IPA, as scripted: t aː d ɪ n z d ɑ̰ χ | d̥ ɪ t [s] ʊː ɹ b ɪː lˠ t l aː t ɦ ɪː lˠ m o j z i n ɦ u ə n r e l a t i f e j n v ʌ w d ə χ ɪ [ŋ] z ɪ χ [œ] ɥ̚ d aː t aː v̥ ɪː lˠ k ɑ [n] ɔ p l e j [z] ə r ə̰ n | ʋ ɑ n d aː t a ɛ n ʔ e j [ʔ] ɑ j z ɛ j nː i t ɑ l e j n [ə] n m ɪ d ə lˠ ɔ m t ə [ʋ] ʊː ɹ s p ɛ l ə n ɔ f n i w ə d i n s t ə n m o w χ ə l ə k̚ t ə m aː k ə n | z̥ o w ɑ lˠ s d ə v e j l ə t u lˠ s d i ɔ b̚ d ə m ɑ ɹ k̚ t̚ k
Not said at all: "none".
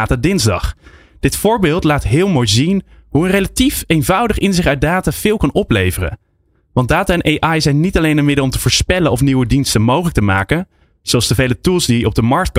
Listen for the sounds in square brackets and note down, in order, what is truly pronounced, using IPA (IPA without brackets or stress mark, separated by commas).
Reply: f, n, œ, n, v, ʔ, ə, v